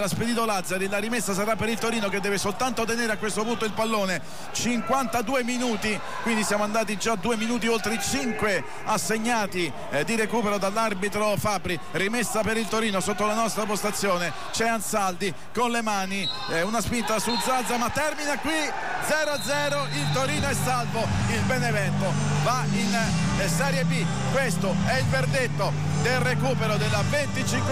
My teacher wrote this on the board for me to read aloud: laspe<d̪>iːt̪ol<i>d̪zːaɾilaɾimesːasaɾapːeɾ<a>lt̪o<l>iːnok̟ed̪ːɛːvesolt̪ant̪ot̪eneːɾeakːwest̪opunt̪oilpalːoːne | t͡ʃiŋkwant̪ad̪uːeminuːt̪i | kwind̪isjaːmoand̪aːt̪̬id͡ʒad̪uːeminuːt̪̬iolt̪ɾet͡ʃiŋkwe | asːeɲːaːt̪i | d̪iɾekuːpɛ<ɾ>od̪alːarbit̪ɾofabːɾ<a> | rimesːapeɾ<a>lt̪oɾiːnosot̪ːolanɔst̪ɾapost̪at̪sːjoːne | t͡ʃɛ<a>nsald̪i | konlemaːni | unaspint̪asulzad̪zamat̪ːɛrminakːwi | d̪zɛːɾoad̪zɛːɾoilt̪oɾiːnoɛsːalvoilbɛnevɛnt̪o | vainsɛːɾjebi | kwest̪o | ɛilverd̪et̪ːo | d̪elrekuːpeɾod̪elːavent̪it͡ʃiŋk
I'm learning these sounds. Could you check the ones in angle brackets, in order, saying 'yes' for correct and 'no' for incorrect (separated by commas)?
yes, no, no, no, yes, no, no, yes